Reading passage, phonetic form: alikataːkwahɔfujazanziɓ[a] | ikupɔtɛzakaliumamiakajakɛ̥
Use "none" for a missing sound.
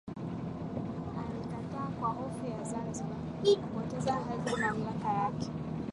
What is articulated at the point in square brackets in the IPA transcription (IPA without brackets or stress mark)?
a